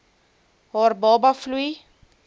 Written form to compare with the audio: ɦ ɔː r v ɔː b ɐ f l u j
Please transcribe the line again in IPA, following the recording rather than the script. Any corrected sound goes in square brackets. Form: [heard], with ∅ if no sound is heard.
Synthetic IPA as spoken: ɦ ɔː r [b] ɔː b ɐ f l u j